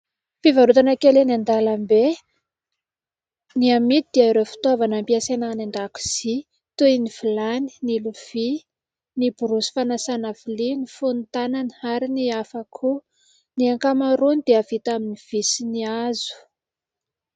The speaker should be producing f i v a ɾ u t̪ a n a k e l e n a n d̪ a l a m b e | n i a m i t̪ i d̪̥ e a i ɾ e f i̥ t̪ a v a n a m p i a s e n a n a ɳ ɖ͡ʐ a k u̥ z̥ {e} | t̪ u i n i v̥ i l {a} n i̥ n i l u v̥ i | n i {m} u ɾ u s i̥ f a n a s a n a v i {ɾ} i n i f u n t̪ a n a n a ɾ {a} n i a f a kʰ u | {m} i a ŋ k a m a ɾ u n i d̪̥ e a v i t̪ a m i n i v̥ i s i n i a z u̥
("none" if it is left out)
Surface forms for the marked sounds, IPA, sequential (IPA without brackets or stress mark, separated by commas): i, a, b, l, i, n